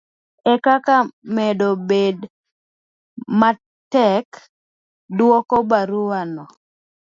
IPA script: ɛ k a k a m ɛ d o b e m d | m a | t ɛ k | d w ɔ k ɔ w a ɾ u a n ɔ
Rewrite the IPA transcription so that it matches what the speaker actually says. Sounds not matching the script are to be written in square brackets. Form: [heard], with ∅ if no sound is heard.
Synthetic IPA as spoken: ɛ k a k a m ɛ d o b e [∅] d | m a | t ɛ k | d w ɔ k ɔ [b] a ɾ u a n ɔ

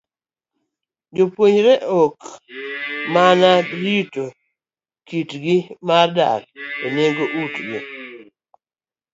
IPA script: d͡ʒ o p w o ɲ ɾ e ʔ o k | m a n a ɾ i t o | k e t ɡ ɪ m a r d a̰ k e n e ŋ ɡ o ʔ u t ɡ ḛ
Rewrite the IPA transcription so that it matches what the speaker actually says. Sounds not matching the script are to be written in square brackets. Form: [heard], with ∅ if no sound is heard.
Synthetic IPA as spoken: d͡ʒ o p w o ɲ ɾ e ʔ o k | m a n a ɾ i t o | k [i] t ɡ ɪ m a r d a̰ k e n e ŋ ɡ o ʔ u t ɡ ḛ

